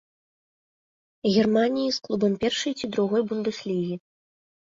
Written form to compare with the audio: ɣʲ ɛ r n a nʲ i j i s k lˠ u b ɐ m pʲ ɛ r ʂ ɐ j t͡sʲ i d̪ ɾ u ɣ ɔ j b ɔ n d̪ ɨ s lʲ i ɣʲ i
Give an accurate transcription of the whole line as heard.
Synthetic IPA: ɣʲ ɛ r m a nʲ i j i s k lˠ u b ɐ m pʲ ɛ r ʂ ɐ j t͡sʲ i d̪ ɾ u ɣ ɔ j b u n d̪ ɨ s lʲ i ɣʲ i